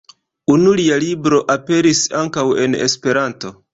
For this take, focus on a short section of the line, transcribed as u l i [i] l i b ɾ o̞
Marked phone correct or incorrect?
incorrect